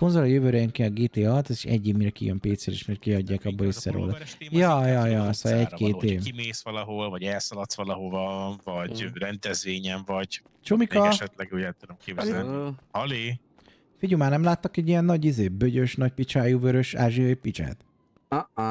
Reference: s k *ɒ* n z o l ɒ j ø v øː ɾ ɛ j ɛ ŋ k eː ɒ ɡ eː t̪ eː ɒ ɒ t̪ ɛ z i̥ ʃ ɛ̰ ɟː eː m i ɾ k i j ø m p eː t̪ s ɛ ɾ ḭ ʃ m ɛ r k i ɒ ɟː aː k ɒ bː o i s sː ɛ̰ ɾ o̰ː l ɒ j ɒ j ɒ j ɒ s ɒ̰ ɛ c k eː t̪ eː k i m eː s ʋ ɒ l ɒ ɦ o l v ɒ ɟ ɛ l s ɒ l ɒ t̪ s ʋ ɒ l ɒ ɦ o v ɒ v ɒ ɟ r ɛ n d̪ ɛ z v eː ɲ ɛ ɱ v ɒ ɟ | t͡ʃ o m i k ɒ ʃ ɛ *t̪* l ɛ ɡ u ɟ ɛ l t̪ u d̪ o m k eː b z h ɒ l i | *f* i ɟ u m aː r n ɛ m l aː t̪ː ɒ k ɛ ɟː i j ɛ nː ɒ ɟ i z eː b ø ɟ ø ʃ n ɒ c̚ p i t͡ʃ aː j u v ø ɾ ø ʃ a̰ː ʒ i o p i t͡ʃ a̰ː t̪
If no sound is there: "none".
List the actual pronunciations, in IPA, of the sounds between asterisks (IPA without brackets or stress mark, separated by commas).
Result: o, t̪, f